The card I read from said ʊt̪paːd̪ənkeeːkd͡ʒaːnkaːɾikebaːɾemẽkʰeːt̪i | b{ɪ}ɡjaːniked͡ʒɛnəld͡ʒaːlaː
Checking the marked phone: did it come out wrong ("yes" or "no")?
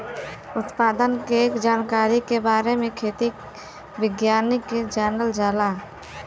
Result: no